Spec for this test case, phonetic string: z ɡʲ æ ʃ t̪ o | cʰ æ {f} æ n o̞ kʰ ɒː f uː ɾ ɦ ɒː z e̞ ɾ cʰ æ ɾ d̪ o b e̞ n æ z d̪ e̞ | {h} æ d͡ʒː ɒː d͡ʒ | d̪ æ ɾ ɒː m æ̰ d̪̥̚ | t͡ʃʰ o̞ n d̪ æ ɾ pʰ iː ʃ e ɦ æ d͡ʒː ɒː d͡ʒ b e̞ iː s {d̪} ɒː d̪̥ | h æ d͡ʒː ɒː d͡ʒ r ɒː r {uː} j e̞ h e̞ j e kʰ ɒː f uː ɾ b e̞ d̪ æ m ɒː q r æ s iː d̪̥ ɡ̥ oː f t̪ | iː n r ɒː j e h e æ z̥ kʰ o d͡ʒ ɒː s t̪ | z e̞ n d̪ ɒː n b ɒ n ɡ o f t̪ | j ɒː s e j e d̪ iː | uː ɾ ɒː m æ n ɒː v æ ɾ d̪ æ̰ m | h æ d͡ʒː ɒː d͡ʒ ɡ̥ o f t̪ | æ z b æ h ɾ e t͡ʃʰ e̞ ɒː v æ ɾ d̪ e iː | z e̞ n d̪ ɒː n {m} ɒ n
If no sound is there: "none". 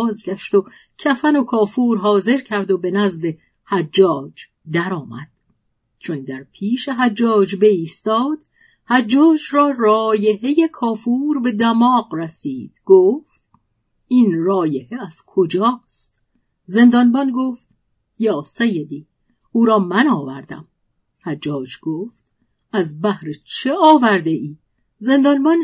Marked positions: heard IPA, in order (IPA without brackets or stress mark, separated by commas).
f, h, t̪, ɒː, b